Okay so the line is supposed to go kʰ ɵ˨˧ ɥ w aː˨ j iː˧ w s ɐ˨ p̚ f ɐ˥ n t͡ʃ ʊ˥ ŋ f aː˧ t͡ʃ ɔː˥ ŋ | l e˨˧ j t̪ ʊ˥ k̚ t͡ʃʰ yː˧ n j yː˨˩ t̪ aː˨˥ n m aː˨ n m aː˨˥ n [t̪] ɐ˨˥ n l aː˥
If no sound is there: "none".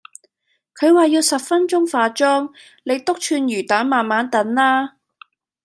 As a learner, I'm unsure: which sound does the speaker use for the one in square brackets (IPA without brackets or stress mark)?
t̪